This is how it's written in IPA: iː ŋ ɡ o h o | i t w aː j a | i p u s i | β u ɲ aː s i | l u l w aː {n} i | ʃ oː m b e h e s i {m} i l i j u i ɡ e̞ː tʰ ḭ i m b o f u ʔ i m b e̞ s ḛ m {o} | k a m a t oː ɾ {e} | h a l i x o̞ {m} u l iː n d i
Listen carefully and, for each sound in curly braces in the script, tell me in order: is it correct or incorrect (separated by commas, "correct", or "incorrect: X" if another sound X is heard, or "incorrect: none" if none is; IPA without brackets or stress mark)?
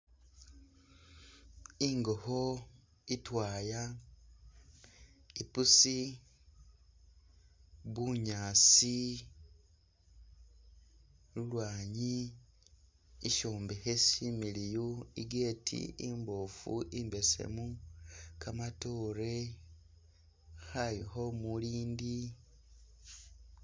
incorrect: ɲ, correct, incorrect: u, correct, correct